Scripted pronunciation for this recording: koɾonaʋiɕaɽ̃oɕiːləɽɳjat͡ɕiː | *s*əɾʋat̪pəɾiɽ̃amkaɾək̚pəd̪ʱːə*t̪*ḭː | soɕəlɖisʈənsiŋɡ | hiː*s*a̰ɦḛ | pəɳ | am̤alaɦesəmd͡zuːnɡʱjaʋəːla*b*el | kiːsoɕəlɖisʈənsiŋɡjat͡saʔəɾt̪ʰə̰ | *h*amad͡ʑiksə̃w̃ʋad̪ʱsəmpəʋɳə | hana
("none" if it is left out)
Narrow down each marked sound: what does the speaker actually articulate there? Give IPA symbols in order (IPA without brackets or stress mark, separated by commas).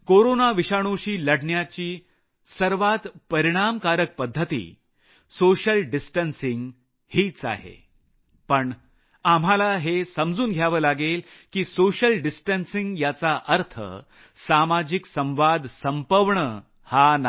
s, t̪, t͡s, ɡ, s